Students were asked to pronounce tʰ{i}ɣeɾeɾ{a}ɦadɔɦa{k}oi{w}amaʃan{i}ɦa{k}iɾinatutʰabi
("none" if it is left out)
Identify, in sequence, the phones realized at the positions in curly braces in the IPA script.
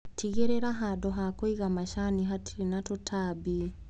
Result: i, a, k, ɣ, i, t

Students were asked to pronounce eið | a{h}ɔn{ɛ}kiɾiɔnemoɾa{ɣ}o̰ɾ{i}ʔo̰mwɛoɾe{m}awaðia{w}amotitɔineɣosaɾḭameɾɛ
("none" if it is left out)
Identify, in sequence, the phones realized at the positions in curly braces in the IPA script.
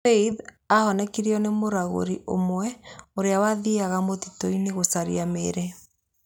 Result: h, ɛ, ɣ, i, none, ɣ

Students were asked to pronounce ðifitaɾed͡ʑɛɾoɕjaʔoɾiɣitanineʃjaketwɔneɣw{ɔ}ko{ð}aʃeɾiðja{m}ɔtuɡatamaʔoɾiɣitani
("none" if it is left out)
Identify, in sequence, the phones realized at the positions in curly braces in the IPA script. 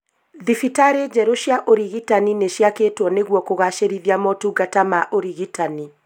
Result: ɔ, ɣ, m

